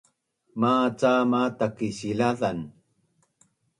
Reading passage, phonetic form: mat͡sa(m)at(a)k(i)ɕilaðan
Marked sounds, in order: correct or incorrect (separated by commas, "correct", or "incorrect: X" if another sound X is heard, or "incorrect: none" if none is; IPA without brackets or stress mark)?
correct, correct, correct